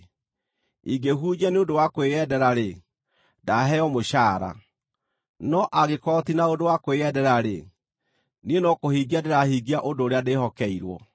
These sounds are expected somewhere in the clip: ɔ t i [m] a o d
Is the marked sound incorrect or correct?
incorrect: n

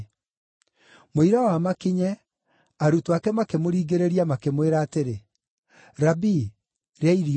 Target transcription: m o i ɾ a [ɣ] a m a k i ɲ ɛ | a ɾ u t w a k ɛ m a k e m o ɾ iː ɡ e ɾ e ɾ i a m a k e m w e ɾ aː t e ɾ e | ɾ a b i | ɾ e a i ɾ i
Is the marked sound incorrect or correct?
incorrect: w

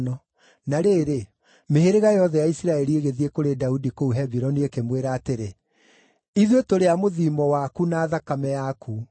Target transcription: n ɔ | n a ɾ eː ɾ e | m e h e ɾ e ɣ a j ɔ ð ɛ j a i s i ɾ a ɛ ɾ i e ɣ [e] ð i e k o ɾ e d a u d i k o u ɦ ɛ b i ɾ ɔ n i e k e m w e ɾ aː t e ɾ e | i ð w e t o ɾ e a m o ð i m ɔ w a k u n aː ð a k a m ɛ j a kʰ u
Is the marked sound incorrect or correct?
correct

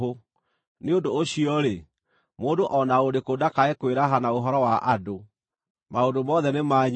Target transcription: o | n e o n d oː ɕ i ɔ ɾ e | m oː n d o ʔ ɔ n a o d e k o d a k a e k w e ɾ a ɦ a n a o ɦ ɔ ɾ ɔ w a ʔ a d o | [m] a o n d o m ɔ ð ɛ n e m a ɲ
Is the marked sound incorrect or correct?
correct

